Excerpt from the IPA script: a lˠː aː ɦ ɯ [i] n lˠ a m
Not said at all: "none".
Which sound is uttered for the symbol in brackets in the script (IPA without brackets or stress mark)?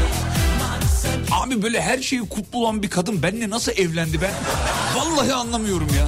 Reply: a